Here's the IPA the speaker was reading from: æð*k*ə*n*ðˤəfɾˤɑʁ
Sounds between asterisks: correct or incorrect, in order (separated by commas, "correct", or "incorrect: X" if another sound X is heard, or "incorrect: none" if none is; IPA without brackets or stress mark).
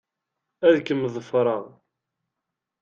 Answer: correct, incorrect: m